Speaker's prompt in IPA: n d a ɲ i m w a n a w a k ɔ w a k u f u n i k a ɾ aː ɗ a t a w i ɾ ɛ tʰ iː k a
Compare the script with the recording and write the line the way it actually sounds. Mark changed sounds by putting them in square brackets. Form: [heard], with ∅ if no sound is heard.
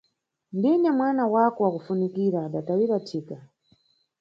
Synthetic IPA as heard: n d [i] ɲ [a] m w a n a w a k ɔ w a k u f u n i k [i] ɾ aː ɗ a t a w i ɾ [a] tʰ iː k a